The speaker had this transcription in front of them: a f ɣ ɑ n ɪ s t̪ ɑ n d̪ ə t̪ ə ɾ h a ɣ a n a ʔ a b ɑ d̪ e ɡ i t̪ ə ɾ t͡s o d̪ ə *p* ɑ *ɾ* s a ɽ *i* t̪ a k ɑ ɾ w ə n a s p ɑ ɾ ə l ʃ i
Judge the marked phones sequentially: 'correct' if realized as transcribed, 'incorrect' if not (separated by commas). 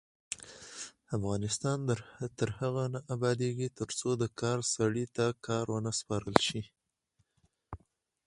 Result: incorrect, correct, correct